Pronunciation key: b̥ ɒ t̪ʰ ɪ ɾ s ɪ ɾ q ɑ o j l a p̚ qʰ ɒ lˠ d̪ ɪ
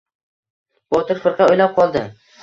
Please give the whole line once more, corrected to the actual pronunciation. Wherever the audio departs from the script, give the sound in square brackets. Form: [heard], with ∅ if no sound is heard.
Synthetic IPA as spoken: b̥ ɒ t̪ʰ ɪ ɾ [f] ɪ ɾ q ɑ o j l a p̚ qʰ ɒ lˠ d̪ ɪ